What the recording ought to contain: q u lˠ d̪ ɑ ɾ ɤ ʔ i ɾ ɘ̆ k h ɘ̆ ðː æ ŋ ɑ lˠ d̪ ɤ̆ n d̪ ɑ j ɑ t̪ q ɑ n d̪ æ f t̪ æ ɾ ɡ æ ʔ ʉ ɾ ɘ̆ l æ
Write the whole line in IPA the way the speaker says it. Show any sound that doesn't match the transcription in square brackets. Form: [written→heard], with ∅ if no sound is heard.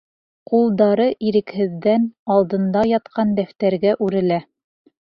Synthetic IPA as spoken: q u lˠ d̪ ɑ ɾ ɤ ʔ i ɾ ɘ̆ k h ɘ̆ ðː æ [ŋ→n] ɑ lˠ d̪ ɤ̆ n d̪ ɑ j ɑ t̪ q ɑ n d̪ æ f t̪ æ ɾ ɡ æ ʔ ʉ ɾ ɘ̆ l æ